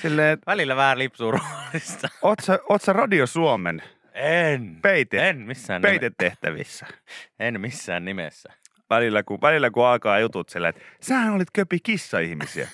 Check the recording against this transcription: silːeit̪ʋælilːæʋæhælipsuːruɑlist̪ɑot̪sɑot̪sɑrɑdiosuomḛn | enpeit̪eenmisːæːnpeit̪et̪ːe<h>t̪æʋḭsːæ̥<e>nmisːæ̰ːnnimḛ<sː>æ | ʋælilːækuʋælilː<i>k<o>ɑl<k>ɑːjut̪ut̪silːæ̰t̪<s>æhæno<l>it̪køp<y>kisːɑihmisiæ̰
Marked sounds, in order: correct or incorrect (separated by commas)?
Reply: correct, correct, correct, incorrect, incorrect, correct, correct, correct, incorrect